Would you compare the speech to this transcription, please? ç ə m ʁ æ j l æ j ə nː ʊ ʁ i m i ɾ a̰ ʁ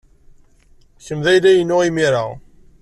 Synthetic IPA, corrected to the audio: ç ə m ð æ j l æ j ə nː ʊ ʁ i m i ɾ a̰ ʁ